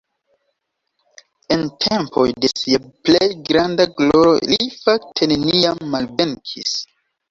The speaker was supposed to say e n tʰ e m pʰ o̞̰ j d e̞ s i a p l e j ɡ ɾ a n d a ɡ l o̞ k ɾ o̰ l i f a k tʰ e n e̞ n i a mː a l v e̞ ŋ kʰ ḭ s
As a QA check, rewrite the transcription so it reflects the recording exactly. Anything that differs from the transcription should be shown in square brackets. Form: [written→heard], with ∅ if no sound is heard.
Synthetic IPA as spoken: e n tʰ e m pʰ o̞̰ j d e̞ s i a p l e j ɡ ɾ a n d a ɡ l o̞ [k→∅] ɾ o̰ l i f a k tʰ e n e̞ n i a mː a l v e̞ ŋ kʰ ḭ s